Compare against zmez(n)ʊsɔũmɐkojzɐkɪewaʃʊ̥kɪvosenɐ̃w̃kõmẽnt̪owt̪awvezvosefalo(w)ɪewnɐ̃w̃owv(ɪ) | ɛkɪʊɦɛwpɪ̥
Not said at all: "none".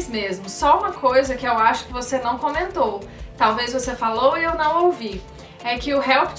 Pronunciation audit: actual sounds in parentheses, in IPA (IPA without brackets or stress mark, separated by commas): m, w, i